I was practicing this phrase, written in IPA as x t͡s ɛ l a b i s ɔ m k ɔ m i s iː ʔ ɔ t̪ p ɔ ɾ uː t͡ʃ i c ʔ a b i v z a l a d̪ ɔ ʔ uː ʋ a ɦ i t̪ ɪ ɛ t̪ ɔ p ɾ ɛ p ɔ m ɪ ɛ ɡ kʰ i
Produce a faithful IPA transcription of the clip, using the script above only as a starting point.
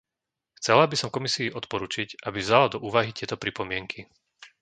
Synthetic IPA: x t͡s ɛ l a b i s ɔ m k ɔ m i s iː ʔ ɔ t̪ p ɔ ɾ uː t͡ʃ i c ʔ a b i v z a l a d̪ ɔ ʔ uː ʋ a ɦ i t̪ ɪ ɛ t̪ ɔ p ɾ i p ɔ m ɪ ɛ ŋ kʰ i